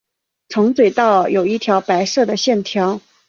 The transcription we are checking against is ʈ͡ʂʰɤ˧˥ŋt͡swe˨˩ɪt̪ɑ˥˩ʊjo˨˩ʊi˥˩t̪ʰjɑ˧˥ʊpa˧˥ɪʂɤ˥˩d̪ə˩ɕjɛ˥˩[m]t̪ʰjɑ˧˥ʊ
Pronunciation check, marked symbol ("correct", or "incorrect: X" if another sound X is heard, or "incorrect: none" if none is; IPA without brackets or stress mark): incorrect: n